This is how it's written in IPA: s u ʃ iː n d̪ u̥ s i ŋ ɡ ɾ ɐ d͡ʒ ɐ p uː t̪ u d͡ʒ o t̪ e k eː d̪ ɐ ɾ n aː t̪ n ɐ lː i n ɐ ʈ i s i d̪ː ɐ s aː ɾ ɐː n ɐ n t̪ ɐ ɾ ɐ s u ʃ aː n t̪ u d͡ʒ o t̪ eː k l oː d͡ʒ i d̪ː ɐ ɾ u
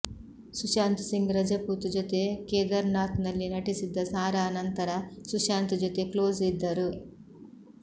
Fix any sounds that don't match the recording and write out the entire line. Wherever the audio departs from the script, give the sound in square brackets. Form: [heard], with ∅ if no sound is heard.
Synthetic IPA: s u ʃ [aː] n [t̪] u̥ s i ŋ ɡ ɾ ɐ d͡ʒ ɐ p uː t̪ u d͡ʒ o t̪ e k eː d̪ ɐ ɾ n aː t̪ n ɐ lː i n ɐ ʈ i s i d̪ː ɐ s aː ɾ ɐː n ɐ n t̪ ɐ ɾ ɐ s u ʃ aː n t̪ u d͡ʒ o t̪ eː k l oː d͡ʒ i d̪ː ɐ ɾ u